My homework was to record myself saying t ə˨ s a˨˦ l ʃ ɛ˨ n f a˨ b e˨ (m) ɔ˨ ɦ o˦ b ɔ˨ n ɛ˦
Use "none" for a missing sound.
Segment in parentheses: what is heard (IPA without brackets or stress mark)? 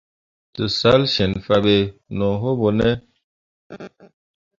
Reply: n